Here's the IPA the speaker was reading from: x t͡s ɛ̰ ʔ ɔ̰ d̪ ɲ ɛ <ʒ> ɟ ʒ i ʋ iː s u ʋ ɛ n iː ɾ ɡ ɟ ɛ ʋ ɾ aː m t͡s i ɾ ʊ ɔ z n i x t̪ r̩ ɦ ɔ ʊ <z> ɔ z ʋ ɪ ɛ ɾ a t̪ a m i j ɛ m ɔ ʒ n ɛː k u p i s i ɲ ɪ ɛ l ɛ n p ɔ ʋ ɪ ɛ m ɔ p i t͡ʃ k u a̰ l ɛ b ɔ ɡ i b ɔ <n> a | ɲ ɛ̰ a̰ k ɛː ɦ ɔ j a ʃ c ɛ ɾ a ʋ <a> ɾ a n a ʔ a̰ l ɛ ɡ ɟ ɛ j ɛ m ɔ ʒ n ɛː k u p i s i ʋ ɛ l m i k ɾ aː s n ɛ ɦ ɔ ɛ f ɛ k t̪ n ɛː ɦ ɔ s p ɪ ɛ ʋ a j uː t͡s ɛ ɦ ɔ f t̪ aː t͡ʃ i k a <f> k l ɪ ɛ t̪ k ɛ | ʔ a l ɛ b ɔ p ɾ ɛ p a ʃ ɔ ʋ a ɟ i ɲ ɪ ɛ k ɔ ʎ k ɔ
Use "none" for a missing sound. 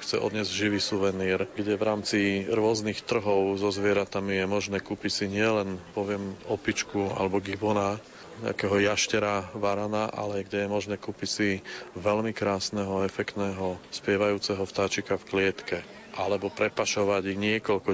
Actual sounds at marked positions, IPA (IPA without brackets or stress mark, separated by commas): z, z, n, a, f